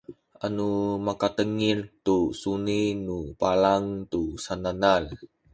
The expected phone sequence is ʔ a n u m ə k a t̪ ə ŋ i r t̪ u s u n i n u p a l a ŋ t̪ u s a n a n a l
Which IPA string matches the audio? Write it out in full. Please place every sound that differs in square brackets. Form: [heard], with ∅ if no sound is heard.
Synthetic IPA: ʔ a n u m [a] k a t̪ ə ŋ i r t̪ u s u n i n u p a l a ŋ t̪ u s a n a n a l